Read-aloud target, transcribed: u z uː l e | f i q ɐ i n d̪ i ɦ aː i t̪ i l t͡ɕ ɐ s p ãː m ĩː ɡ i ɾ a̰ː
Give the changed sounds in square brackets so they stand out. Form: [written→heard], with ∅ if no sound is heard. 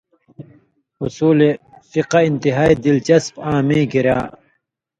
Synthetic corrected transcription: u [z→s] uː l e | f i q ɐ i n [d̪→t̪] i ɦ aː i [t̪→d̪] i l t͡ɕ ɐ s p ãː m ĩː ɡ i ɾ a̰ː